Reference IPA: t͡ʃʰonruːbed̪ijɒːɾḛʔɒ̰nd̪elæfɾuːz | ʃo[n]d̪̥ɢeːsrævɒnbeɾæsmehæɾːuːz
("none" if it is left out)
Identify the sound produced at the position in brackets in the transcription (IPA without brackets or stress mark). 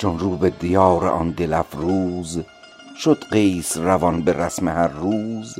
none